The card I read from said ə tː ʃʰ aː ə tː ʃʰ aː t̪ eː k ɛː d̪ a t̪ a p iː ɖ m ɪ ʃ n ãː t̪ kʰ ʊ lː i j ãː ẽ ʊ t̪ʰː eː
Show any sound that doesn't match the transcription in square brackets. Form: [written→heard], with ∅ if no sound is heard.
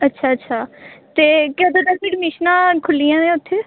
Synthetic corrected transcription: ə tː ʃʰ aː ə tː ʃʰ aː t̪ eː k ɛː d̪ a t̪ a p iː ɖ m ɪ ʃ n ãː [t̪→∅] kʰ ʊ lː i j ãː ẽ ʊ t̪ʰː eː